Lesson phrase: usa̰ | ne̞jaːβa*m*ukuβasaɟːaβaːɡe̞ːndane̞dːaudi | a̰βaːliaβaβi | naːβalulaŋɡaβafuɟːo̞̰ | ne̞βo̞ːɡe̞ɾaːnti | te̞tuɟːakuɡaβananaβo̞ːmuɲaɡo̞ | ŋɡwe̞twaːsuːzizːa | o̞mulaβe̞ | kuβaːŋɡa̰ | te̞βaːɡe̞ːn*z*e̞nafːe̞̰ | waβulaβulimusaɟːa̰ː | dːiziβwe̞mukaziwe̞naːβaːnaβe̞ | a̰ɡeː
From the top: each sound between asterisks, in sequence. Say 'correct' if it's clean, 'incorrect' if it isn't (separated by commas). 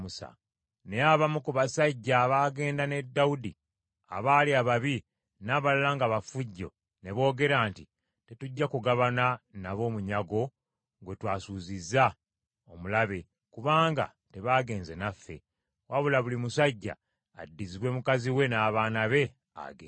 correct, correct